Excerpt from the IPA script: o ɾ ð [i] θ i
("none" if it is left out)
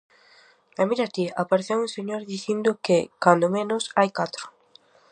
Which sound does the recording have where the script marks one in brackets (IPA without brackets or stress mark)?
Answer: i